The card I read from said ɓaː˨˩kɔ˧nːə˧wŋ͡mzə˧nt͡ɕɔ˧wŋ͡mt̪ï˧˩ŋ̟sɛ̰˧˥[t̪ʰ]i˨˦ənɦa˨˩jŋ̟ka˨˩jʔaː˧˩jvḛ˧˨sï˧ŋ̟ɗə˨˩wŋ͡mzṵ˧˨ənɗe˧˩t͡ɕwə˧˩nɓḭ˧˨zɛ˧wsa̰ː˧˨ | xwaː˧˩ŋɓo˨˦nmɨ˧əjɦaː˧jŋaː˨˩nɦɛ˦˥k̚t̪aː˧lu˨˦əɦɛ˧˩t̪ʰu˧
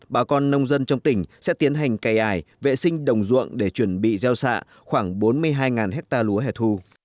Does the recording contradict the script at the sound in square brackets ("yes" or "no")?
yes